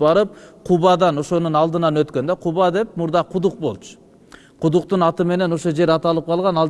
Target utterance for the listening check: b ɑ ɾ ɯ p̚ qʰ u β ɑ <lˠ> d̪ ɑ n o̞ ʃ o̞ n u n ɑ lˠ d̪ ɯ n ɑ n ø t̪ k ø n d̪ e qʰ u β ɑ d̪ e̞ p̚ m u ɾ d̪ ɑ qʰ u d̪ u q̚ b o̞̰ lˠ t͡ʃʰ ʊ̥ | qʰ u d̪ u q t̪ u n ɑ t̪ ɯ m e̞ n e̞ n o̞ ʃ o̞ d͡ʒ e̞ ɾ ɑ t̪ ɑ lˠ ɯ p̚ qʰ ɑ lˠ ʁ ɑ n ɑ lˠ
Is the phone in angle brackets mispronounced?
yes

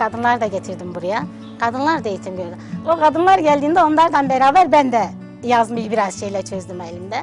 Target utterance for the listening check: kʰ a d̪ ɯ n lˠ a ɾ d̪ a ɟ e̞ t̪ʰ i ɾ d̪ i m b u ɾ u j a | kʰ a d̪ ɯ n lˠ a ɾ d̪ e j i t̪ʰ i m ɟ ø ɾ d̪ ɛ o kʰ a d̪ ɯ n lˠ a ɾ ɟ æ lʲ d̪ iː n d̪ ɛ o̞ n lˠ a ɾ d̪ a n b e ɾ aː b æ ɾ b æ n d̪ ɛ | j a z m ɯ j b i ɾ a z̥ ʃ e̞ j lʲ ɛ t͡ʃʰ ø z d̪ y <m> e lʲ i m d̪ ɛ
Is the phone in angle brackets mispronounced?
no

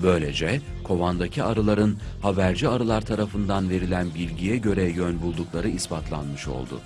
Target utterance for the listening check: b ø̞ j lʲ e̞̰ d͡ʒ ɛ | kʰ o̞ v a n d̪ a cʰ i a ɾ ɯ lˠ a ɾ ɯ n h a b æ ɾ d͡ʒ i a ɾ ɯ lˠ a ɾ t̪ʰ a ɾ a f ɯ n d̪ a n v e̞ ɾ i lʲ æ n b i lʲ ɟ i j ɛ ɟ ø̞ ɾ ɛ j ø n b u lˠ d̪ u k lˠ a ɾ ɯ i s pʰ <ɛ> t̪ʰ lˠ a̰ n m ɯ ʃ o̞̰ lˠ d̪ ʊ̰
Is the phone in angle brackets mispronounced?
yes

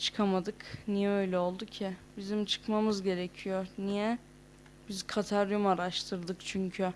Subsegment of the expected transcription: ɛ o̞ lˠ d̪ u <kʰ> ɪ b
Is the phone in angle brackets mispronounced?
yes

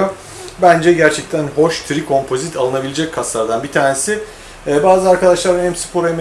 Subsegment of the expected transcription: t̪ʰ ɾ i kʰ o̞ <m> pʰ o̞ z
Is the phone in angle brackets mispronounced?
no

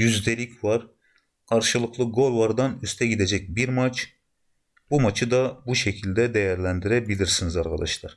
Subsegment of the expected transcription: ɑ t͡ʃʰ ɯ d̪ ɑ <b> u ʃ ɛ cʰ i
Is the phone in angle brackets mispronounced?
no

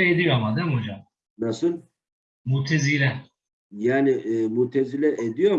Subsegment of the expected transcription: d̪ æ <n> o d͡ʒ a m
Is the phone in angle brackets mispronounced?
yes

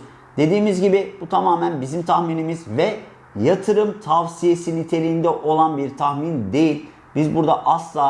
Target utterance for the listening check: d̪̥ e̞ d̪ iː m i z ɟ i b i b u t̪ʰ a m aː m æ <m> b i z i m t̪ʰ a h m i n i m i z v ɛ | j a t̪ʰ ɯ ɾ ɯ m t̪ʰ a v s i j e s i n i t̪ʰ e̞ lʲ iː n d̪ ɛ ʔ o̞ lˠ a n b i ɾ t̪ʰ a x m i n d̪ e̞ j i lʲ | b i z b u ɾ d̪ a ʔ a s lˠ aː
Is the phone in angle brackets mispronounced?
yes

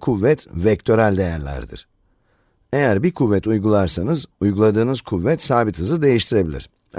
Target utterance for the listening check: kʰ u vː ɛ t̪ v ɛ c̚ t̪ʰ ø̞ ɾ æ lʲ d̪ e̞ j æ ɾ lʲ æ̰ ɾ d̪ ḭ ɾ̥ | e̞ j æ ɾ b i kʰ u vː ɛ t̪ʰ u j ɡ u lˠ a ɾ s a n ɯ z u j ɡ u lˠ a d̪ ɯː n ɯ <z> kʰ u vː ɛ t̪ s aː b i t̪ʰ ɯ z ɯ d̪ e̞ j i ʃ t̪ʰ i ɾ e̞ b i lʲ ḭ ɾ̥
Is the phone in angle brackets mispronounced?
no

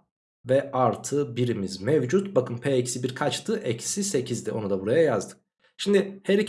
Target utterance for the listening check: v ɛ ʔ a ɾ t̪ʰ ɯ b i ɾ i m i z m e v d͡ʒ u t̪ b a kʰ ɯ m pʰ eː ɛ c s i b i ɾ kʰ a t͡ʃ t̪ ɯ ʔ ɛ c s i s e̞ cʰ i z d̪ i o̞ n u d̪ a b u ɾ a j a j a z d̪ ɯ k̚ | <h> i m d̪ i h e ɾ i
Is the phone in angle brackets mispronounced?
yes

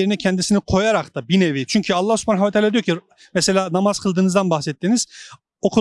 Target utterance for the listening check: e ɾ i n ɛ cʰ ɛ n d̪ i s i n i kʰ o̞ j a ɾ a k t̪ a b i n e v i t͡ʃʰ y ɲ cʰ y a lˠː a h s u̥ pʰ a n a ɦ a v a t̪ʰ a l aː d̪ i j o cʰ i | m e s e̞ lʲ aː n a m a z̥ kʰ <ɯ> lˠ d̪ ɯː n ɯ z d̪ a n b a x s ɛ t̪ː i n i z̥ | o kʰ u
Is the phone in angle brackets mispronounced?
no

